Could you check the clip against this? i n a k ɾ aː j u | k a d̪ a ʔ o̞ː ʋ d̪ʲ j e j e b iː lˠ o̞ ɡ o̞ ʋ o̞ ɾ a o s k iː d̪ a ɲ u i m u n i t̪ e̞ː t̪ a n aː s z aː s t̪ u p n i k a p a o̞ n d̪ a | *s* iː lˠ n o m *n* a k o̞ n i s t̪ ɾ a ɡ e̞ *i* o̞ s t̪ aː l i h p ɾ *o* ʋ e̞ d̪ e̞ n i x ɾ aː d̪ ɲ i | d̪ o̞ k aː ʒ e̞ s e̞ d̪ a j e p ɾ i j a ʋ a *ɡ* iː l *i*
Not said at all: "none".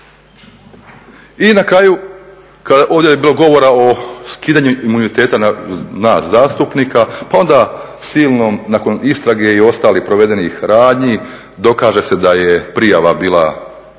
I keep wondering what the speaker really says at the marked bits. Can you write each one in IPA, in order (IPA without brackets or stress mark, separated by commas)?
s, n, i, o, b, a